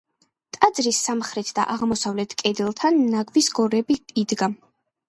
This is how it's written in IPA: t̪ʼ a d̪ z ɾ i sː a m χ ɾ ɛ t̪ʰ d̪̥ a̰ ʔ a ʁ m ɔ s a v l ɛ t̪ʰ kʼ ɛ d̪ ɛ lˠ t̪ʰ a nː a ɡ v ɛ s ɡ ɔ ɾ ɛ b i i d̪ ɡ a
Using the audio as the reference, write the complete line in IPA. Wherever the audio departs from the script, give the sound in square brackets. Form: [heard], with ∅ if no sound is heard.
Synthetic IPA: t̪ʼ a d̪ z ɾ i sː a m χ ɾ ɛ t̪ʰ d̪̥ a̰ ʔ a ʁ m ɔ s a v l ɛ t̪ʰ kʼ ɛ d̪ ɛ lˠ t̪ʰ a nː a ɡ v [i] s ɡ ɔ ɾ ɛ b i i d̪ ɡ a

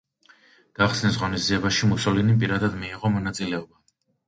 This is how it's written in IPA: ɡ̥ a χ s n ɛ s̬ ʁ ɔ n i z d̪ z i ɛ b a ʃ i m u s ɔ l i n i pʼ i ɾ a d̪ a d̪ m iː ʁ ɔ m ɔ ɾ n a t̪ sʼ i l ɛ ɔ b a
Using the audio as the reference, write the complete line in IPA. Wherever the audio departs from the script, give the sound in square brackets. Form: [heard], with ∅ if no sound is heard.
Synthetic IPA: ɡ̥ a χ s n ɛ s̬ ʁ ɔ n i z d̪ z i ɛ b a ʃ i m u s ɔ l i n i pʼ i ɾ a d̪ a d̪ m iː ʁ ɔ m ɔ [∅] n a t̪ sʼ i l ɛ ɔ b a

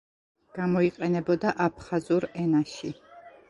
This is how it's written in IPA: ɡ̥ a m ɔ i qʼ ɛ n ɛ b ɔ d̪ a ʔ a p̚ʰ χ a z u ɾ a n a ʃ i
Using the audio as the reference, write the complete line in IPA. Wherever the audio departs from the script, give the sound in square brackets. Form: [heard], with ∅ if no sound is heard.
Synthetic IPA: ɡ̥ a m ɔ i qʼ ɛ n ɛ b ɔ d̪ a ʔ a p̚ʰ χ a z u ɾ [ɛ] n a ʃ i

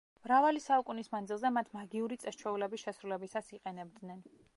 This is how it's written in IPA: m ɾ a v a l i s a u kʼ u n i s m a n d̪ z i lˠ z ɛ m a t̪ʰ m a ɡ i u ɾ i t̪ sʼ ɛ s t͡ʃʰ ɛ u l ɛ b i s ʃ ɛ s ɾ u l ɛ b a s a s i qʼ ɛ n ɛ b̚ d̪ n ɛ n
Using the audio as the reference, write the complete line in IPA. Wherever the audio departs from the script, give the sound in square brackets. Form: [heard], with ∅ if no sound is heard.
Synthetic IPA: m ɾ a v a l i s a u kʼ u n i s m a n d̪ z i lˠ z ɛ m a t̪ʰ m a ɡ i u ɾ i t̪ sʼ ɛ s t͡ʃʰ ɛ u l ɛ b i s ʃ ɛ s ɾ u l ɛ b [i] s a s i qʼ ɛ n ɛ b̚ d̪ n ɛ n

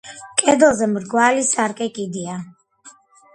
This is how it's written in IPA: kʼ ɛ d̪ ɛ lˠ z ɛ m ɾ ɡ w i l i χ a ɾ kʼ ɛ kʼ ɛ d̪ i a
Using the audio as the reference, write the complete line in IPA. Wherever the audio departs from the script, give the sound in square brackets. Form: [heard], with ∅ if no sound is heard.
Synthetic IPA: kʼ ɛ d̪ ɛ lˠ z ɛ m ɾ ɡ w [a] l i [s] a ɾ kʼ ɛ kʼ [i] d̪ i a

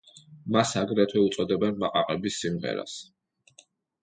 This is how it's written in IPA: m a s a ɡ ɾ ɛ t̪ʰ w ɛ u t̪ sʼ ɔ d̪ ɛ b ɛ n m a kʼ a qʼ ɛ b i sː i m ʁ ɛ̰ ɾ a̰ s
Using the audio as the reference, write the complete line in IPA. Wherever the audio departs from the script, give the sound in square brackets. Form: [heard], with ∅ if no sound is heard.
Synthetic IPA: m a s a ɡ ɾ ɛ t̪ʰ w ɛ u t̪ sʼ ɔ d̪ ɛ b ɛ n m a [qʼ] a qʼ ɛ b i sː i m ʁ ɛ̰ ɾ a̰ s

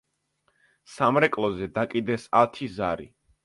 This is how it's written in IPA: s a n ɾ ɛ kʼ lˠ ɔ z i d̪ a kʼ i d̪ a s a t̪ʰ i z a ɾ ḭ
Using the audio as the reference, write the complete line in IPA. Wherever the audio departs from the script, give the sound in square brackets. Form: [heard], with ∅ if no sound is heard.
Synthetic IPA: s a [m] ɾ ɛ kʼ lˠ ɔ z [ɛ] d̪ a kʼ i d̪ [ɛ] s a t̪ʰ i z a ɾ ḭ

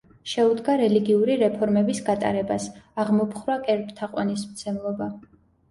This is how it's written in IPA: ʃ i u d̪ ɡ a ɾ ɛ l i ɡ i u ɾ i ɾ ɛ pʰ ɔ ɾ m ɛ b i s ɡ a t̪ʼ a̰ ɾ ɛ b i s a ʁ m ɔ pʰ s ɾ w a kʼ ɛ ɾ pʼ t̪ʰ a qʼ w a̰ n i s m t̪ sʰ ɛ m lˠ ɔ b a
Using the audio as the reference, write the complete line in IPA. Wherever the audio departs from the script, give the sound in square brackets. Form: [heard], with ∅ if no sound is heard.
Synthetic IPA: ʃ [ɛ] u d̪ ɡ a ɾ ɛ l i ɡ i u ɾ i ɾ ɛ pʰ ɔ ɾ m ɛ b i s ɡ a t̪ʼ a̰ ɾ ɛ b [a] s a ʁ m ɔ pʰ [χ] ɾ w a kʼ ɛ ɾ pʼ t̪ʰ a qʼ w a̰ n i s m t̪ sʰ ɛ m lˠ ɔ b a

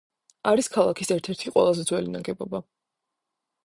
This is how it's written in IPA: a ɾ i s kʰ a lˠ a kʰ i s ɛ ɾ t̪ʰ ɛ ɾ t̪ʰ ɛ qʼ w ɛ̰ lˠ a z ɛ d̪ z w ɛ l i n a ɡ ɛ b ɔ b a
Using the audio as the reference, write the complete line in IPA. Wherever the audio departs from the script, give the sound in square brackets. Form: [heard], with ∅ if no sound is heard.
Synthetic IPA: a ɾ i s kʰ a lˠ a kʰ i s ɛ ɾ t̪ʰ ɛ ɾ t̪ʰ [i] qʼ w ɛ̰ lˠ a z ɛ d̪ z w ɛ l i n a ɡ ɛ b ɔ b a

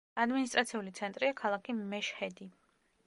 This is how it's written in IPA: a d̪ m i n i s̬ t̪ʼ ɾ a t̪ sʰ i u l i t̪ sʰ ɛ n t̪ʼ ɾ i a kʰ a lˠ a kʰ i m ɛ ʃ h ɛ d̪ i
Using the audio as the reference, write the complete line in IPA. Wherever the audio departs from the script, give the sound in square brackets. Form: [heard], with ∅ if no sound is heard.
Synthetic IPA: a d̪ m i n i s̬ t̪ʼ ɾ a t̪ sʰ i u l i t̪ sʰ ɛ n t̪ʼ ɾ i a kʰ a lˠ a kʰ i m ɛ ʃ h ɛ d̪ i

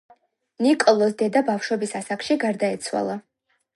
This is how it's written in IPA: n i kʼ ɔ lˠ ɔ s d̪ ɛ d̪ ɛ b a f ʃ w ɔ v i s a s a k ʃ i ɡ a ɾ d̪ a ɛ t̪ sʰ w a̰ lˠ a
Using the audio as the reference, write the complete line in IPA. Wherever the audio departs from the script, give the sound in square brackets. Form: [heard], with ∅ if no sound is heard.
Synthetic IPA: n i kʼ ɔ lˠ ɔ s d̪ ɛ d̪ [a] b a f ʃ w ɔ [b] i s a s a k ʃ i ɡ a ɾ d̪ a ɛ t̪ sʰ w a̰ lˠ a

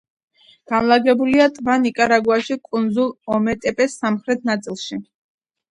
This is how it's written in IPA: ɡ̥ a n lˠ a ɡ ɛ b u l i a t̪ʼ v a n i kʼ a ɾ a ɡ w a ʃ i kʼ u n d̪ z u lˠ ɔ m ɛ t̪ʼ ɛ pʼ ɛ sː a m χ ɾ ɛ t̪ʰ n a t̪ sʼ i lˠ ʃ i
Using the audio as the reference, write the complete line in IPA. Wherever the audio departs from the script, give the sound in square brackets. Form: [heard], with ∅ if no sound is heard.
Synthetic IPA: ɡ̥ a n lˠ a ɡ ɛ b u l i a t̪ʼ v a n i kʼ a ɾ a ɡ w a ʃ i kʼ u n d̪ z u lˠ ɔ m ɛ t̪ʼ ɛ pʼ ɛ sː a m χ ɾ ɛ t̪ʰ n a t̪ sʼ i lˠ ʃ i

